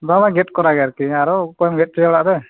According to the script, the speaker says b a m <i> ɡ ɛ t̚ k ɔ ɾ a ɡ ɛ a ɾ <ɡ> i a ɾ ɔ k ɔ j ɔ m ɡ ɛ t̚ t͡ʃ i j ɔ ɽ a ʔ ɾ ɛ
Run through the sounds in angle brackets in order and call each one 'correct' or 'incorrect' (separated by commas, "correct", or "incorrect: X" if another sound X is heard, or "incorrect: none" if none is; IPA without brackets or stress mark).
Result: incorrect: a, incorrect: k